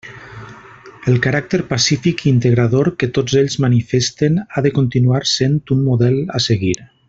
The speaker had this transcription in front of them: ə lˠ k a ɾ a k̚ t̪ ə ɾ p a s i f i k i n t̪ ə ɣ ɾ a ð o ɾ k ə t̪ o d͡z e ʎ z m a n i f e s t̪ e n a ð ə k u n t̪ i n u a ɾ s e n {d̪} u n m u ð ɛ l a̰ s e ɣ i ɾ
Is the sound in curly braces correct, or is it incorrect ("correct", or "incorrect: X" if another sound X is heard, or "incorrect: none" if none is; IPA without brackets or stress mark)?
incorrect: t̪